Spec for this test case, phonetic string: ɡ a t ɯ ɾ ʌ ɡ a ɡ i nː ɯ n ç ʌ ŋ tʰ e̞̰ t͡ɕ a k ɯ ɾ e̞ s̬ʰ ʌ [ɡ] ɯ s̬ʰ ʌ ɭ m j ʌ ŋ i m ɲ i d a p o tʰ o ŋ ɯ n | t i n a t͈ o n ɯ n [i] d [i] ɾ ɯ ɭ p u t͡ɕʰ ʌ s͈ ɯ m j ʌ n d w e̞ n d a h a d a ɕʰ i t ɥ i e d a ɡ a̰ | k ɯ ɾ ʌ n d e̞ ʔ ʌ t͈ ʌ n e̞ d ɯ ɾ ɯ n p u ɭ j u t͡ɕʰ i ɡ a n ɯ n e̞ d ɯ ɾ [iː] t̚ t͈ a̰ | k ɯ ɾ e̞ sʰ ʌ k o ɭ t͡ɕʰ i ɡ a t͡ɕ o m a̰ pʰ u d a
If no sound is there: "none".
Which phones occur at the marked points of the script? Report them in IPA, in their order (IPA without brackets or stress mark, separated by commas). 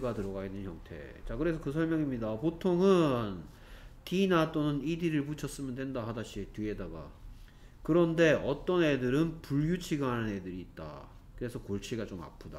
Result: k, i, i, iː